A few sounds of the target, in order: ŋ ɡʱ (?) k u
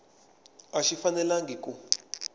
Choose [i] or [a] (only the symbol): i